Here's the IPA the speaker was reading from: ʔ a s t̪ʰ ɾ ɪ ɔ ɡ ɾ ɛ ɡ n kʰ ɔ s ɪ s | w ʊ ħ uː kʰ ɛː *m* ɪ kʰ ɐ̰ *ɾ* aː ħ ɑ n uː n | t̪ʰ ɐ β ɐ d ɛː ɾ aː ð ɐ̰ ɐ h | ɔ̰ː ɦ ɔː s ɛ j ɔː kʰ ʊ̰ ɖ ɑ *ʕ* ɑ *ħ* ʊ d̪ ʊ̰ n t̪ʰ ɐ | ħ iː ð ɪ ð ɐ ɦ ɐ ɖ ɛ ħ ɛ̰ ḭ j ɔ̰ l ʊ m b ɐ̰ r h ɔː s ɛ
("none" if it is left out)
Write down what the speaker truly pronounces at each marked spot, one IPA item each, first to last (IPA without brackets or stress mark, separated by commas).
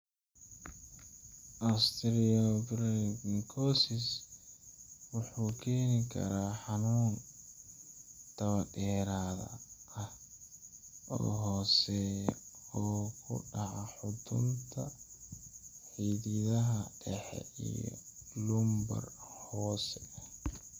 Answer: n, ɾ, ʕ, ħ